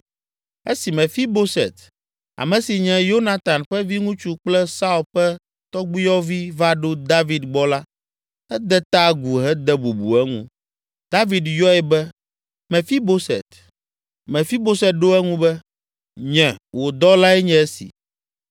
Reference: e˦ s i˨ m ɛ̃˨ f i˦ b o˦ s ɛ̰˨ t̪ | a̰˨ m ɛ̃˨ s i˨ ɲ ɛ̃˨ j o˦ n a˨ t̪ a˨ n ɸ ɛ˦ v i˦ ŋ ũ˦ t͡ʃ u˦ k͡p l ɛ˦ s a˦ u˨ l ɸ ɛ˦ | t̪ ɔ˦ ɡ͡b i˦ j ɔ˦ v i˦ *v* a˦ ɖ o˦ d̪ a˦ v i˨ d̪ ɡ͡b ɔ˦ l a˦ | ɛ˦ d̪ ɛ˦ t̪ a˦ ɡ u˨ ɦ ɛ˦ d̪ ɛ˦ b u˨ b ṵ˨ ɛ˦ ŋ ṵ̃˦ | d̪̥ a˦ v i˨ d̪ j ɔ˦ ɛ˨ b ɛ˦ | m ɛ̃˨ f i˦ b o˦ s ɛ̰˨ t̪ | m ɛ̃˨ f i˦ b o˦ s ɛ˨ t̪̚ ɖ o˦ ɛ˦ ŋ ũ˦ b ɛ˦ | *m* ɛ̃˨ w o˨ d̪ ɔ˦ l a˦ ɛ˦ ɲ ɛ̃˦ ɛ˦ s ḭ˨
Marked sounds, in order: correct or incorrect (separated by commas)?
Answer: correct, incorrect